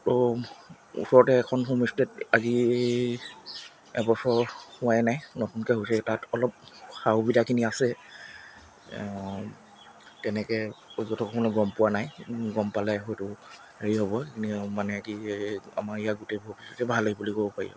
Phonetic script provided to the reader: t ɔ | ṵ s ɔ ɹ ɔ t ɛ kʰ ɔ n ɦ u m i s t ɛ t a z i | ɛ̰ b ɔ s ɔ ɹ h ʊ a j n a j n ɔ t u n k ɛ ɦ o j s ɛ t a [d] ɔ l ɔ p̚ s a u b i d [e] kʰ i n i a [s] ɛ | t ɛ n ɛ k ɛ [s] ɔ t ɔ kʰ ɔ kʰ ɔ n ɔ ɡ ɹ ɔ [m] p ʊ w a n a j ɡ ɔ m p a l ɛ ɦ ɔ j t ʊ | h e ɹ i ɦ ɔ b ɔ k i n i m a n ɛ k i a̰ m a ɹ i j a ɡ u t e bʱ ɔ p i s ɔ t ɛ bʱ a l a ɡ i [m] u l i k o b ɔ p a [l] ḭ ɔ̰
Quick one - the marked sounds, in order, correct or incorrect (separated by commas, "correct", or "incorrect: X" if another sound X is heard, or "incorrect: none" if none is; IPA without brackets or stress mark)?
incorrect: t, incorrect: a, correct, incorrect: z, correct, incorrect: b, incorrect: ɹ